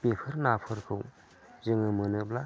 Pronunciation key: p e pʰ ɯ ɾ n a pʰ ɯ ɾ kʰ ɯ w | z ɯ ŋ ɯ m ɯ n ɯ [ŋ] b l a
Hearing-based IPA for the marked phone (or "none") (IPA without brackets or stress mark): none